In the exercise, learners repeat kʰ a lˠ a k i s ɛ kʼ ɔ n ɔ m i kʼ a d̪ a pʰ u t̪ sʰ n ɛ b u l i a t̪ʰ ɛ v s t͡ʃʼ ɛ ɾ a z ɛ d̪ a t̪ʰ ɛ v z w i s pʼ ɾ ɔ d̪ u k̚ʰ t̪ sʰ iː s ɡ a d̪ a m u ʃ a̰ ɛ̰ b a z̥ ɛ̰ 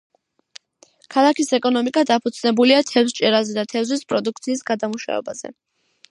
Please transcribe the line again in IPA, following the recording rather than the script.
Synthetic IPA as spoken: kʰ a lˠ a k i s ɛ kʼ ɔ n ɔ m i kʼ a d̪ a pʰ u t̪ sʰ n ɛ b u l i a t̪ʰ ɛ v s t͡ʃʼ ɛ ɾ a z ɛ d̪ a t̪ʰ ɛ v z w i s pʼ ɾ ɔ d̪ u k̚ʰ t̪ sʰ iː s ɡ a d̪ a m u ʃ a̰ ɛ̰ b a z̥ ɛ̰